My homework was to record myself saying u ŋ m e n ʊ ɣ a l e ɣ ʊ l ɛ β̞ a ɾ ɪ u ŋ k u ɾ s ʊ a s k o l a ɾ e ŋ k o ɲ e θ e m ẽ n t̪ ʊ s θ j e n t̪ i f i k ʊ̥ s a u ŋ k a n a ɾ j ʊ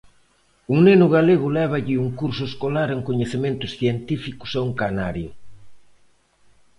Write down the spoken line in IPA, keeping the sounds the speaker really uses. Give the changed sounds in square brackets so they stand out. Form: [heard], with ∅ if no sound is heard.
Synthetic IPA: u ŋ [n] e n ʊ ɣ a l e ɣ ʊ l ɛ β̞ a [ʎ] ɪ u ŋ k u ɾ s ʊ [e] s k o l a ɾ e ŋ k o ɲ e θ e m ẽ n t̪ ʊ s θ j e n t̪ i f i k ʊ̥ s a u ŋ k a n a ɾ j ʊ